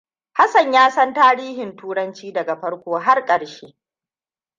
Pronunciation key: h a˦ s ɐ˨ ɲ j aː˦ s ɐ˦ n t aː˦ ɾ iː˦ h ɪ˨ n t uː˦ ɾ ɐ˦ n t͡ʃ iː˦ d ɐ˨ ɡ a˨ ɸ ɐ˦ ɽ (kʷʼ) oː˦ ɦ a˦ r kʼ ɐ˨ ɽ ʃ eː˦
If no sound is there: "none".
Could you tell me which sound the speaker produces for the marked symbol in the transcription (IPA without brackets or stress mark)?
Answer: kʷ